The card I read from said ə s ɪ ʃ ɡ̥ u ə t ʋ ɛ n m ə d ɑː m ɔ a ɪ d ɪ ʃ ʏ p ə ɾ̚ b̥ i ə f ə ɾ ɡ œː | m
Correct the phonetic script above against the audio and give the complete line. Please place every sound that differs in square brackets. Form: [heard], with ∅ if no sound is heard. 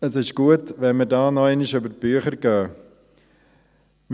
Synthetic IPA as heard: ə s ɪ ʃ ɡ̥ u ə t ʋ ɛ n m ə d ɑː [n] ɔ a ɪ [n] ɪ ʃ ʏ [b] ə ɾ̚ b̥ [y] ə [χ] ə ɾ ɡ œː | m